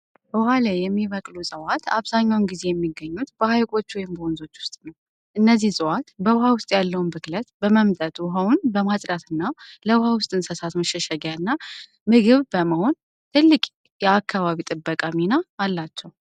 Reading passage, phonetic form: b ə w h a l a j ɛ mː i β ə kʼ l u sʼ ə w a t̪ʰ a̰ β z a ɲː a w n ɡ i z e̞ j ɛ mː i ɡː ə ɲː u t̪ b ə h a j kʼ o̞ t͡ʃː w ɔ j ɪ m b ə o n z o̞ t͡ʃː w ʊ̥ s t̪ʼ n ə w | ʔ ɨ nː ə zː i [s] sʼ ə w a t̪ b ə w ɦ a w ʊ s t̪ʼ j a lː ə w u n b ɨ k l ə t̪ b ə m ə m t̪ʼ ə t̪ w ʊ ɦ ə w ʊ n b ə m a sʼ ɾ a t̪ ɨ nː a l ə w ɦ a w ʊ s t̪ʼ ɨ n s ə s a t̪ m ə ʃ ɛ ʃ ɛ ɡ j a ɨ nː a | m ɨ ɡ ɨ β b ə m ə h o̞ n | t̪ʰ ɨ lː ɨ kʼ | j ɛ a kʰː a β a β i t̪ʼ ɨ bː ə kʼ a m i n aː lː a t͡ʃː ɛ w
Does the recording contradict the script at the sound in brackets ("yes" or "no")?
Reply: yes